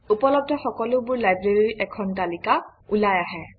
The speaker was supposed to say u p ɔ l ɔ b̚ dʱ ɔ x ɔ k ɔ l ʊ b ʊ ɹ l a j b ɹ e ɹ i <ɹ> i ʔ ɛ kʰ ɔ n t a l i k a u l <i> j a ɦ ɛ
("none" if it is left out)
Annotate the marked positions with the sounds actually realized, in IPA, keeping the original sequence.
ɹ, a

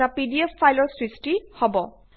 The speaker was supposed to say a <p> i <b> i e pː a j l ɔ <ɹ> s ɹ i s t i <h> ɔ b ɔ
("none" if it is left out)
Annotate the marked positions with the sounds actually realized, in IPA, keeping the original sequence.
p, d, ɹ, h

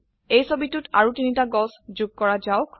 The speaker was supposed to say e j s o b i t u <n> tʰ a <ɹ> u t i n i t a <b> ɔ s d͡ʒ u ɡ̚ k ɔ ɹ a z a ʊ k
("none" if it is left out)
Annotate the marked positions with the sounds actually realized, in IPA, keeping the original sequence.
none, ɹ, ɡ

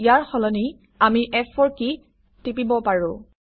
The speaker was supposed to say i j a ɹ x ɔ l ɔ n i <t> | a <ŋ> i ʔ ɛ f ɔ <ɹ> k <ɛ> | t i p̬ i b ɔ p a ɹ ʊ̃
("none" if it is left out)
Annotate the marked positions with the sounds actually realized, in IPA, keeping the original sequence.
none, m, ɹ, i

